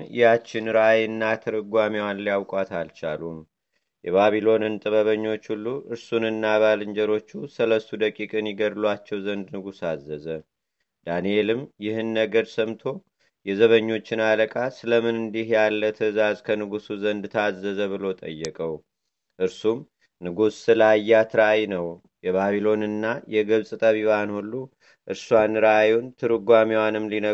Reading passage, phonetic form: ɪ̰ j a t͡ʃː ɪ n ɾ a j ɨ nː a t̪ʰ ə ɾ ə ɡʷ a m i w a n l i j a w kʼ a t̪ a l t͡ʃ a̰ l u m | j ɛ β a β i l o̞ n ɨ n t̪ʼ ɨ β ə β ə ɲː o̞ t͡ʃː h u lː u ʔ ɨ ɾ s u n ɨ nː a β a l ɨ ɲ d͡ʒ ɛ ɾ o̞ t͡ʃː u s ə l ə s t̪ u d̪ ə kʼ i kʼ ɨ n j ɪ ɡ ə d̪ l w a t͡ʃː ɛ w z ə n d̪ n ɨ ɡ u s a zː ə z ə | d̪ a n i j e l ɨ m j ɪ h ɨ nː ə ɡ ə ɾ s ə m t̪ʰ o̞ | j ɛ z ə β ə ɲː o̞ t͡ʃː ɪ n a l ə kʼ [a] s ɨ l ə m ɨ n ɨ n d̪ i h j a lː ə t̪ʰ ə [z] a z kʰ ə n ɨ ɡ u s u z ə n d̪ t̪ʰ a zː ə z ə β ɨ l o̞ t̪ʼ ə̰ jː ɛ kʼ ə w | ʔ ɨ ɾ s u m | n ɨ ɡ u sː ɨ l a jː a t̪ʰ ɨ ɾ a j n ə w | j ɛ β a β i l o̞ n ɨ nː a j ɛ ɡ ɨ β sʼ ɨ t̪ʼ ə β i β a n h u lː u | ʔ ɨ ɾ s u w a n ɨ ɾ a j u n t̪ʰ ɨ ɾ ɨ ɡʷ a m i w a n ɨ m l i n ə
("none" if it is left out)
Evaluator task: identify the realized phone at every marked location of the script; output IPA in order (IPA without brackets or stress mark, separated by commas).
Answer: a, z